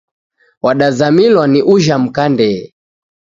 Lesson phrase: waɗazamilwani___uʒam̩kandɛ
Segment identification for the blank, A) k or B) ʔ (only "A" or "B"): B